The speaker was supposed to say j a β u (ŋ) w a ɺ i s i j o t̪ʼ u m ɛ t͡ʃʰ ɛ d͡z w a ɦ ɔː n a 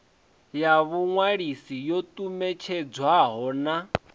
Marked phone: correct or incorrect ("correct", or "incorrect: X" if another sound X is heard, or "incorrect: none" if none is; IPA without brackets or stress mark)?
correct